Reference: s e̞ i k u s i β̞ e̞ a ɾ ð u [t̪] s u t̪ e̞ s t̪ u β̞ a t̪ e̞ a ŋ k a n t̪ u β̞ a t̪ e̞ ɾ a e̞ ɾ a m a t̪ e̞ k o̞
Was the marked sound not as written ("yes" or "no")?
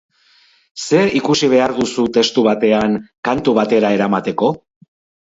yes